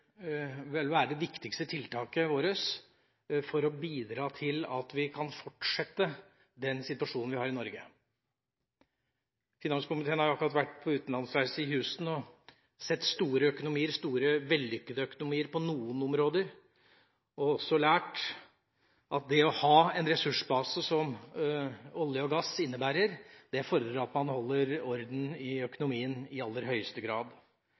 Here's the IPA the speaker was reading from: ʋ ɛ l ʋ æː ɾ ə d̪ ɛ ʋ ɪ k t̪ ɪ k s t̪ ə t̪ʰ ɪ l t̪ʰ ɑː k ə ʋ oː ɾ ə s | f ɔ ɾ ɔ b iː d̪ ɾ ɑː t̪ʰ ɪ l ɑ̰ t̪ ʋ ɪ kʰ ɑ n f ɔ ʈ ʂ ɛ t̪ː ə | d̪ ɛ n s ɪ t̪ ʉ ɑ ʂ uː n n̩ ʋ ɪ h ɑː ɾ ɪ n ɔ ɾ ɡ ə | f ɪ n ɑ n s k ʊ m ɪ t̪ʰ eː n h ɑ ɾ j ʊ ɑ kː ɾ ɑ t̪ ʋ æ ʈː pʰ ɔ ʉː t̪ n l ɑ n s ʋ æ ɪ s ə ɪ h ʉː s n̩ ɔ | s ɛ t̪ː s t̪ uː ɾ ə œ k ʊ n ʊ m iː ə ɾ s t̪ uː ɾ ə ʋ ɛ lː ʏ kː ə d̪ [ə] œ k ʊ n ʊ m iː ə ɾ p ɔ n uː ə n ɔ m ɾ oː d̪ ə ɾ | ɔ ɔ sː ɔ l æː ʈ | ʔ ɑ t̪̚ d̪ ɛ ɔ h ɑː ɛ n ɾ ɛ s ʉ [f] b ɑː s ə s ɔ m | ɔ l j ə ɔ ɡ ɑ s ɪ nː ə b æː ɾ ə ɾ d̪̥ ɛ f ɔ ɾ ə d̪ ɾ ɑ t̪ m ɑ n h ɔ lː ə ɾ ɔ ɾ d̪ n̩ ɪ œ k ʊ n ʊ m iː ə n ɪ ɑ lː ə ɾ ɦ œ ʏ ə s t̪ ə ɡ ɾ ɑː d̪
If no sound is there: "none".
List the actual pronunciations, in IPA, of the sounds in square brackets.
ə, ʂ

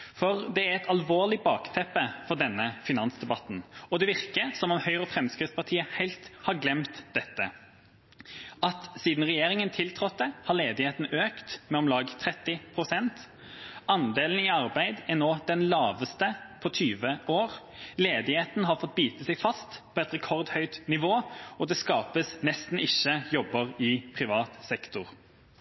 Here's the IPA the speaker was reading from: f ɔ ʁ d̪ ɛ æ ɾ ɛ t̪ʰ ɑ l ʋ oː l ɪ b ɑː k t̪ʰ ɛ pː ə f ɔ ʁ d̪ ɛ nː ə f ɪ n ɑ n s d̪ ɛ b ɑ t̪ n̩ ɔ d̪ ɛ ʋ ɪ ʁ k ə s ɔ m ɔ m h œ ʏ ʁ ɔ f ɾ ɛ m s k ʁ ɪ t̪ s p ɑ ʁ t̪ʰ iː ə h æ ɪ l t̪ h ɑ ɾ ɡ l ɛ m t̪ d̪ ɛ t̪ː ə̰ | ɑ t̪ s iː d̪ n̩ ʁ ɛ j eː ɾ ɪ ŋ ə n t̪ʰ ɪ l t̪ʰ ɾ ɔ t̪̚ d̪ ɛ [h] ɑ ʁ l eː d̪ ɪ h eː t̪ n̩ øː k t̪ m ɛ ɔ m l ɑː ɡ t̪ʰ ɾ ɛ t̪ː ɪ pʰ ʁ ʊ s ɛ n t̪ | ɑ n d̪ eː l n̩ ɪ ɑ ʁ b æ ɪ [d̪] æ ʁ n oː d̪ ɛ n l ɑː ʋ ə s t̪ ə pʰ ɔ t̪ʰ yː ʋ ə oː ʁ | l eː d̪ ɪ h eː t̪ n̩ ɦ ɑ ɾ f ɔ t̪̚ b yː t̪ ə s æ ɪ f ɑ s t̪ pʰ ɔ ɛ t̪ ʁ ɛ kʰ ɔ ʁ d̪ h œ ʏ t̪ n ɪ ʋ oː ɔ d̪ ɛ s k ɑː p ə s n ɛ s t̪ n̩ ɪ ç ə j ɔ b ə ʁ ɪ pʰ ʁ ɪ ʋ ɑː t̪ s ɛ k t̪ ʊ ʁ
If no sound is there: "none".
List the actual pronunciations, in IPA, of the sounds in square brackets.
h, d̪

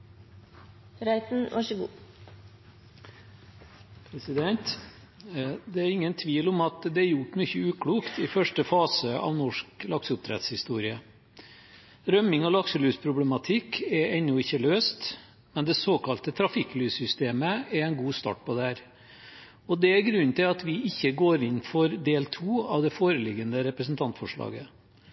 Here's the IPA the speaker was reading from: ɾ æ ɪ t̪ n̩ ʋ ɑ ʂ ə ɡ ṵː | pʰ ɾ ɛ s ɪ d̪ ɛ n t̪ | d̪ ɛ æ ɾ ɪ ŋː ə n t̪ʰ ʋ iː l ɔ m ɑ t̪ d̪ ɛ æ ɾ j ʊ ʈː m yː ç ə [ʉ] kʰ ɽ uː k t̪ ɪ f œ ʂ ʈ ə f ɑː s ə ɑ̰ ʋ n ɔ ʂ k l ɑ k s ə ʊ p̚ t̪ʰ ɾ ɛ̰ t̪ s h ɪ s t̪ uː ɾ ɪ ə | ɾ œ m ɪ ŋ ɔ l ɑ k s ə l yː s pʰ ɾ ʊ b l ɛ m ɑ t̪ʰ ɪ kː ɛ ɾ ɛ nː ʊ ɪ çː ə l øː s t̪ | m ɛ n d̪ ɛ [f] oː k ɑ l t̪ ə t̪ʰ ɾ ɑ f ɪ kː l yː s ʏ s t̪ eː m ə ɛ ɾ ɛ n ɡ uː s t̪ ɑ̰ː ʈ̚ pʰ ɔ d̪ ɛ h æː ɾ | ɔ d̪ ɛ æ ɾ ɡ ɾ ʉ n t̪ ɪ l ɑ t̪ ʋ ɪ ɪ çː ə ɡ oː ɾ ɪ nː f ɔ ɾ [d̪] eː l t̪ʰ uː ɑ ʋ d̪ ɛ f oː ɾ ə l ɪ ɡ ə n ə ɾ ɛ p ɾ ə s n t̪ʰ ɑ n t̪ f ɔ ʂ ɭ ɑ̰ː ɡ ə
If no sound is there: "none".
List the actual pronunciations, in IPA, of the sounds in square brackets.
ʉː, s, d̪

